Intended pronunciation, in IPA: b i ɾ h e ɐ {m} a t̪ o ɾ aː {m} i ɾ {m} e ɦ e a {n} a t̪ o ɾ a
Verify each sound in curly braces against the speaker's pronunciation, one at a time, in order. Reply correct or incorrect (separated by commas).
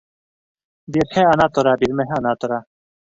incorrect, incorrect, correct, correct